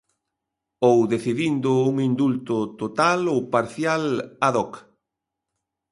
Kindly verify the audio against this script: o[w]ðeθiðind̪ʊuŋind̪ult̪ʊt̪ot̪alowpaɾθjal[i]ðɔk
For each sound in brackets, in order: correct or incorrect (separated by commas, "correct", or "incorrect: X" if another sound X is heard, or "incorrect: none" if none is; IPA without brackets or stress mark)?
correct, incorrect: a